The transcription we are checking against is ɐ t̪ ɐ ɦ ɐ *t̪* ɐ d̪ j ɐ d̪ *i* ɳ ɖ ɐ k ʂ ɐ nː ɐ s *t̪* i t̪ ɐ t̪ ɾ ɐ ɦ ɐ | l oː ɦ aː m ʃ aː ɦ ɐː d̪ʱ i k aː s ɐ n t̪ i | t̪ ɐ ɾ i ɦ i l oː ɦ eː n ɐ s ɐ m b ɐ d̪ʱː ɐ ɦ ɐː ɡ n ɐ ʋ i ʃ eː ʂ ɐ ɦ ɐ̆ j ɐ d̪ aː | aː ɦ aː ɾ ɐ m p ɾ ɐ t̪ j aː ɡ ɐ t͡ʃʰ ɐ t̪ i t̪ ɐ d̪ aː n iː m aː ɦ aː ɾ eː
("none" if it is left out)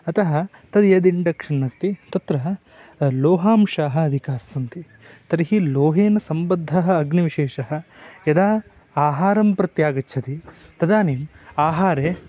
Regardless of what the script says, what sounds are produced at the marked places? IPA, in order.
t̪, i, t̪

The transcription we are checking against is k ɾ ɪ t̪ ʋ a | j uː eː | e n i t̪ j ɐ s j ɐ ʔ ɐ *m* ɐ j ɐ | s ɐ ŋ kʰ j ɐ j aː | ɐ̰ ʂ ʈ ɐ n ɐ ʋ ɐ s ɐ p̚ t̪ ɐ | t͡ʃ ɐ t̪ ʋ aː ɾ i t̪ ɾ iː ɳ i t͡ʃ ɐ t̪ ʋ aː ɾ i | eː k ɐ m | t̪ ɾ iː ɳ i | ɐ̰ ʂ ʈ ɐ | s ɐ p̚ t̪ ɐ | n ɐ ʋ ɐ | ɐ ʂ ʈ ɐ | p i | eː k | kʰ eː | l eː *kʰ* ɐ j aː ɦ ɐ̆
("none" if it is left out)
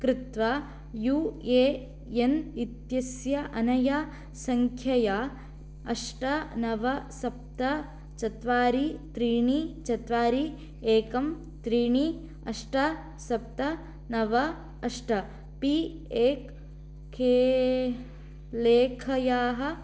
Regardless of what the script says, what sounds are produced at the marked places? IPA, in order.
n, kʰ

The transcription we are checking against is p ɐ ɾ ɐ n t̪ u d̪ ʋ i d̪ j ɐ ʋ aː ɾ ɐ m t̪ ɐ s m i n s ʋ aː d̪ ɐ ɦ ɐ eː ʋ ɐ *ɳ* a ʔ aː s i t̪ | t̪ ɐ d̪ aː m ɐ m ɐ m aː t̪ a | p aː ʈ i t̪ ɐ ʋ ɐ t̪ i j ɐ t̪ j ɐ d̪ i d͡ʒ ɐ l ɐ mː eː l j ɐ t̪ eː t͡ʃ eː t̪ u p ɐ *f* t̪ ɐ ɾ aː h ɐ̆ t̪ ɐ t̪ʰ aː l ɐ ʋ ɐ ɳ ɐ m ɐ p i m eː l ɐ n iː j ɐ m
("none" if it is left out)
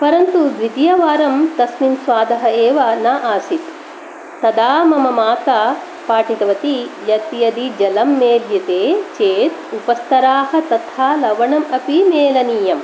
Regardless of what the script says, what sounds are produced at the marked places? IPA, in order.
n, s

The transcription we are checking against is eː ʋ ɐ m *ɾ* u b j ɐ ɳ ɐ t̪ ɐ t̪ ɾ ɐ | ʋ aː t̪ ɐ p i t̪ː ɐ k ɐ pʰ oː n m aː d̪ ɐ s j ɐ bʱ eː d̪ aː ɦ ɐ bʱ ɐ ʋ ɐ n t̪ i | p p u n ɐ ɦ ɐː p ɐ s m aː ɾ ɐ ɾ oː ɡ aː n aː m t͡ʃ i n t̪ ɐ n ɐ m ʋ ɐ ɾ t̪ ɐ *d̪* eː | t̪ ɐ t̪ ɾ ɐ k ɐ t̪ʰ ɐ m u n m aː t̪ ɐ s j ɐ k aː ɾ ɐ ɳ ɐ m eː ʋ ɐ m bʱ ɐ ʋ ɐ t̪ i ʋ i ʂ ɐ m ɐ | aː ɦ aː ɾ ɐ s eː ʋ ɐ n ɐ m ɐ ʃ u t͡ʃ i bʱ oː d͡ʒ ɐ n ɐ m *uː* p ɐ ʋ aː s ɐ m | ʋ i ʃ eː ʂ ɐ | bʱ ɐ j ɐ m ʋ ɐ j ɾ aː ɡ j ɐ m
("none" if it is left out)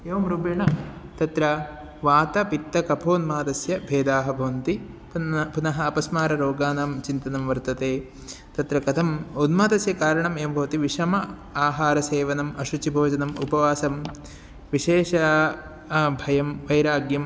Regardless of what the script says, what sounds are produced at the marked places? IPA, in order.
ɾ, t̪, u

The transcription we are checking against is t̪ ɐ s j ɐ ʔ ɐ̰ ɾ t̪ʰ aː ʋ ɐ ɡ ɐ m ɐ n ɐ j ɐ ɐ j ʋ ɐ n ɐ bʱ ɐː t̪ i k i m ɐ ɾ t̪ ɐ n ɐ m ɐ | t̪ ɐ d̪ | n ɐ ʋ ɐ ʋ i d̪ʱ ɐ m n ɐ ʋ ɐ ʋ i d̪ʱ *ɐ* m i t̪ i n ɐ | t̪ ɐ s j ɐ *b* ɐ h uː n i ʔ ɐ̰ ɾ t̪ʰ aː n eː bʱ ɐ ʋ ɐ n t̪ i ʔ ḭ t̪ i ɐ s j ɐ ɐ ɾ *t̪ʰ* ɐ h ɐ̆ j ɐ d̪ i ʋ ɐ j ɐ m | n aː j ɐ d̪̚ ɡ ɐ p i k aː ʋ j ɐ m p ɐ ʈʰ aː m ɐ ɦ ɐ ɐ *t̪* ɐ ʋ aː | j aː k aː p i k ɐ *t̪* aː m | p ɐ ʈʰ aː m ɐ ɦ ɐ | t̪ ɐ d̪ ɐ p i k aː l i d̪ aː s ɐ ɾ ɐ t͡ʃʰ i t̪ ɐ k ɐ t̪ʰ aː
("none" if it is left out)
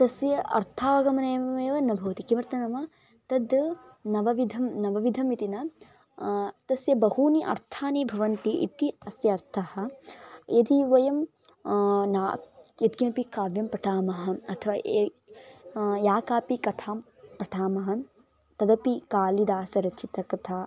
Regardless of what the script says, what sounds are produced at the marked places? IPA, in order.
ɐ, b, t̪ʰ, t̪ʰ, t̪ʰ

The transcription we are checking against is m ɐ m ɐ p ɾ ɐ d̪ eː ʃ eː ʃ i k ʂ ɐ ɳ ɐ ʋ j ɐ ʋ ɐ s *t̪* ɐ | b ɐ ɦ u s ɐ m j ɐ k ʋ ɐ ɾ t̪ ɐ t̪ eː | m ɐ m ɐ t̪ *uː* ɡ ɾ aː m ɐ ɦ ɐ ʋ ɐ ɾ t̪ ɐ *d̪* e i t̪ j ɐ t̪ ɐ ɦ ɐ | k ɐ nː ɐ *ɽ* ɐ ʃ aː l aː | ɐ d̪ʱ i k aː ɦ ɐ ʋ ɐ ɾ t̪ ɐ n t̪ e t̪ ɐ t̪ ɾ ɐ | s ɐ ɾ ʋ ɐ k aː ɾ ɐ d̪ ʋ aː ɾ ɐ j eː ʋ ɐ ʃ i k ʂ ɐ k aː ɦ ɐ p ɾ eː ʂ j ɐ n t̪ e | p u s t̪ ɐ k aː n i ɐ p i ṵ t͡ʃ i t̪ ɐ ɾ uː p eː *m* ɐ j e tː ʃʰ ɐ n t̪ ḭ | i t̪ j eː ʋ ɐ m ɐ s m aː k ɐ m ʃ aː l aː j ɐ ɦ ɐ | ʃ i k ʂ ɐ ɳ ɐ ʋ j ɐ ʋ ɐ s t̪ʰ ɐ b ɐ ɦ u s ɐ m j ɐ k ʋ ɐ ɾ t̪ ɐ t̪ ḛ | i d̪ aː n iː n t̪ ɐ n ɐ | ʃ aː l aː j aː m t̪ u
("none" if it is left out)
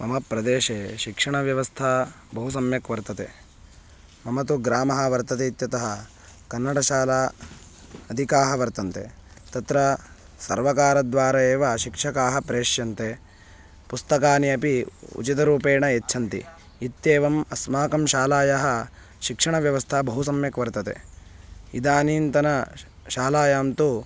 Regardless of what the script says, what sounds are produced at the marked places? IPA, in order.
t̪ʰ, u, t̪, ɽ, ɳ

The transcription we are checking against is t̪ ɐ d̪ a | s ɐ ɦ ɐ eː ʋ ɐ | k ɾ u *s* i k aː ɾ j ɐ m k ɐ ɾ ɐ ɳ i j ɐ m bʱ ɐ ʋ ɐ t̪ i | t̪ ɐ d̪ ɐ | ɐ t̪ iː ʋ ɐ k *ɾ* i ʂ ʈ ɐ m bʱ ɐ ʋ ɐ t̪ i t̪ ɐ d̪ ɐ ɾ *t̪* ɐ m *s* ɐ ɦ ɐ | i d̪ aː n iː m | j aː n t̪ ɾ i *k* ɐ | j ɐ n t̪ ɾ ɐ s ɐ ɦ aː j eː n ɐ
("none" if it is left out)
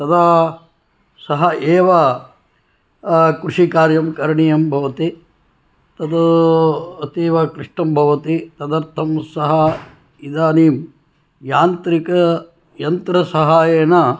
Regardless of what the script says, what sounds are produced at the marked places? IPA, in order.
ʂ, ɾ, t̪ʰ, s, k

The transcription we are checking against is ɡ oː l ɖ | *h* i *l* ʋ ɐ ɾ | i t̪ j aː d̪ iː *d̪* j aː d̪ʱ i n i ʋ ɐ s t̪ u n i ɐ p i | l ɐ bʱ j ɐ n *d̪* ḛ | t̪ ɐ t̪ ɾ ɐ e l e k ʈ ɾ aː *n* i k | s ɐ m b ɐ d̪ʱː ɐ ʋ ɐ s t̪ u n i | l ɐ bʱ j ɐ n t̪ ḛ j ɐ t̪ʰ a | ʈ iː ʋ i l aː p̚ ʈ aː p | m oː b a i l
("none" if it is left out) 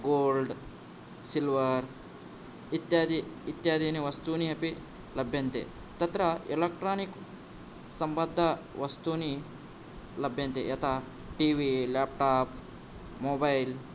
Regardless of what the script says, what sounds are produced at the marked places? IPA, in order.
s, l, t̪, t̪, n

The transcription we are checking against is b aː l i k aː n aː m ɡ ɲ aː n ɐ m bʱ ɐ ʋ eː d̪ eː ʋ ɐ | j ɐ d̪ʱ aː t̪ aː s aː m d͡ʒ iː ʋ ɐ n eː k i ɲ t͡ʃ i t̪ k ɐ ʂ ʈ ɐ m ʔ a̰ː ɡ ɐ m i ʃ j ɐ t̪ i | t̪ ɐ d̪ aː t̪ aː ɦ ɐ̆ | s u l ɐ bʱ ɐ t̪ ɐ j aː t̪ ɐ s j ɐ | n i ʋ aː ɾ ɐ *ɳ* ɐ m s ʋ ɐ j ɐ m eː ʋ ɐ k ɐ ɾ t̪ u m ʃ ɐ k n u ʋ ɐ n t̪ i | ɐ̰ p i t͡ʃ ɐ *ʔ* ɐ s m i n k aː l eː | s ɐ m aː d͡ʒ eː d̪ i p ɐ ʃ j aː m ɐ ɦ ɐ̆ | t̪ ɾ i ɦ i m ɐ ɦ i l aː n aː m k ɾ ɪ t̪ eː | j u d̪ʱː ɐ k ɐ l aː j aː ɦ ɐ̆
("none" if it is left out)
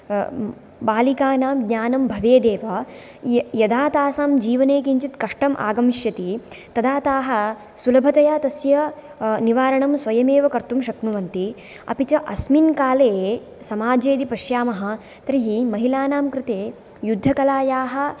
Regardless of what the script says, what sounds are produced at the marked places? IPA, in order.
ɳ, ʔ

